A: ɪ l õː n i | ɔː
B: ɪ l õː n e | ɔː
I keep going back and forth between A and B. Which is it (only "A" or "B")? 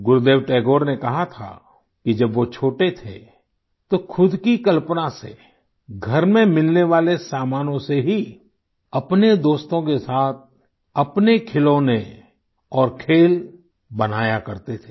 B